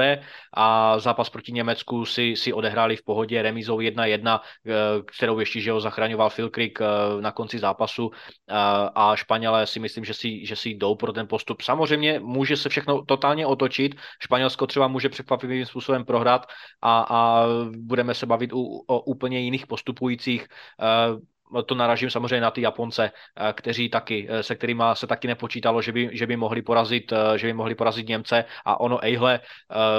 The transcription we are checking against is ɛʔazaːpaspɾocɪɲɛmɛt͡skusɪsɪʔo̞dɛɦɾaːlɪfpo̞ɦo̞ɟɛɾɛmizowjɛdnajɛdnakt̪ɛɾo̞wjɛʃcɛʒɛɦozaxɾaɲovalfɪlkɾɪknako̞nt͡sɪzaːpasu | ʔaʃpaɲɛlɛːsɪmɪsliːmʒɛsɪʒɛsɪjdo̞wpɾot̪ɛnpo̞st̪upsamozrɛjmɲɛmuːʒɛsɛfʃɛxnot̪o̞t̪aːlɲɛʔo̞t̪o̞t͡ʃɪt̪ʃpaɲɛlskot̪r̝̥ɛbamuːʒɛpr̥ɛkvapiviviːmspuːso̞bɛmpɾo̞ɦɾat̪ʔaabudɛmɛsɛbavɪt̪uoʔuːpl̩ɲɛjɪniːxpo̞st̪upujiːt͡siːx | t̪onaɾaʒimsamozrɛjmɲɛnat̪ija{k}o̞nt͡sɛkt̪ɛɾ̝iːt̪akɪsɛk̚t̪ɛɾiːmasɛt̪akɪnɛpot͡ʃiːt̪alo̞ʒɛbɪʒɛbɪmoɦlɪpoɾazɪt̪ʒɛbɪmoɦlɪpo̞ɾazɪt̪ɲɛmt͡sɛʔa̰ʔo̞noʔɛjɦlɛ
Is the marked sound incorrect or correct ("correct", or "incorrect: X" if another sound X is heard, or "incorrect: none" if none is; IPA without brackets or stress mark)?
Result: incorrect: p